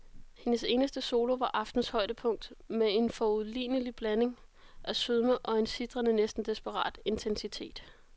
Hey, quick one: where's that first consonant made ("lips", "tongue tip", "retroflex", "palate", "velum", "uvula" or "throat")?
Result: throat